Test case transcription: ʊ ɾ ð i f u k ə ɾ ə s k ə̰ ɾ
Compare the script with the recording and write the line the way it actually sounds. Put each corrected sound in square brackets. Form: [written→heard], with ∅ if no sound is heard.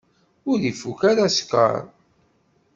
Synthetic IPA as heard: ʊ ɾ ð i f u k [ə→a] ɾ [ə→a] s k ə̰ ɾ